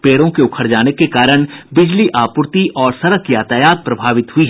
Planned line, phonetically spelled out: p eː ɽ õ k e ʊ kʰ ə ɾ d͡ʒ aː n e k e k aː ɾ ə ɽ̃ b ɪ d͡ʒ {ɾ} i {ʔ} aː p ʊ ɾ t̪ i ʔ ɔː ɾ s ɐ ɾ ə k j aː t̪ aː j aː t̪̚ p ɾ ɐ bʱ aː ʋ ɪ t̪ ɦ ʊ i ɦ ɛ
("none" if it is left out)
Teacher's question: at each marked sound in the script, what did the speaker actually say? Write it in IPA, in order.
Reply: l, ʔ

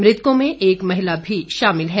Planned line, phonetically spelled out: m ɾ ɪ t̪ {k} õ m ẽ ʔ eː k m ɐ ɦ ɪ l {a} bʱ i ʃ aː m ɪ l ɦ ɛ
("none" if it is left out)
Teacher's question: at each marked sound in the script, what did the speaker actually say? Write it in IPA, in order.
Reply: k, a

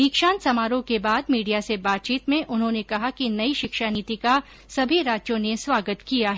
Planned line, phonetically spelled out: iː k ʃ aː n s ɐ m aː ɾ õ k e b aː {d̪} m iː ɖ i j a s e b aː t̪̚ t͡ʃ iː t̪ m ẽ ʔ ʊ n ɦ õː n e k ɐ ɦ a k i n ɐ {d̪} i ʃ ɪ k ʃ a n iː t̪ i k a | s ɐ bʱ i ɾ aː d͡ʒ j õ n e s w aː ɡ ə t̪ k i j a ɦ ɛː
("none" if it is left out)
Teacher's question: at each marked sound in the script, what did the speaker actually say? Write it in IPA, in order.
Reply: d̪, none

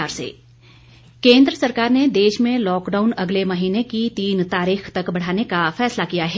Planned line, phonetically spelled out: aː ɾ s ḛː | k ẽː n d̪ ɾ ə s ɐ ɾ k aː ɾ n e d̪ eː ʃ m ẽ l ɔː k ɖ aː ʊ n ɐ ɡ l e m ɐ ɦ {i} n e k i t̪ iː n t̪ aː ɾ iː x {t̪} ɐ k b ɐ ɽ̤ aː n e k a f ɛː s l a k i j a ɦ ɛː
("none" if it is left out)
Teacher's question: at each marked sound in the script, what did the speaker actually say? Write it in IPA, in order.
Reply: iː, t̪

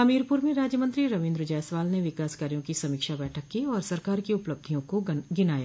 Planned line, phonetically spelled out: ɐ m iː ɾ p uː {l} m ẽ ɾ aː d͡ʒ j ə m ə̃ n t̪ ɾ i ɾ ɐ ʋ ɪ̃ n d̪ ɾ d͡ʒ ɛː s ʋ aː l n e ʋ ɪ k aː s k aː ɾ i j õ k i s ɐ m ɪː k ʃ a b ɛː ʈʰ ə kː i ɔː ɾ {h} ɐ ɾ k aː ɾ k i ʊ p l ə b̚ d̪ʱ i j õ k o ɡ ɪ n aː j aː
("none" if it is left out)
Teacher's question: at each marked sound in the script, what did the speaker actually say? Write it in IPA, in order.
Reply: ɾ, s

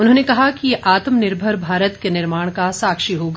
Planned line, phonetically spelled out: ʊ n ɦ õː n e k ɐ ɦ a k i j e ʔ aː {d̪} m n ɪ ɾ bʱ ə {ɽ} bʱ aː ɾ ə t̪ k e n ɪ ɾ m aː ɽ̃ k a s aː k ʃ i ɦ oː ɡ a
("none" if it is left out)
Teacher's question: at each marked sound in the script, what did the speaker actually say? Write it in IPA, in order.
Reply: t̪, ɾ

